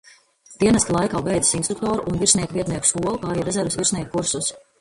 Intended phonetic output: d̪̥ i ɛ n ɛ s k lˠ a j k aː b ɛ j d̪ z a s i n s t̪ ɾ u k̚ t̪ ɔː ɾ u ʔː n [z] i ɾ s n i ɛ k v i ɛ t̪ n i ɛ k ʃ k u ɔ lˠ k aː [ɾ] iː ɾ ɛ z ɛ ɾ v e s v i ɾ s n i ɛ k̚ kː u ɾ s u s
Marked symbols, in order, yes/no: no, yes

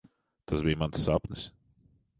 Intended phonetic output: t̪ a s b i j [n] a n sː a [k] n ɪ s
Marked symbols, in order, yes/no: no, no

